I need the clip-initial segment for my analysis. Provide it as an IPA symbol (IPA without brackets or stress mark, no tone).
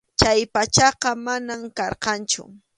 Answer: t͡ʃ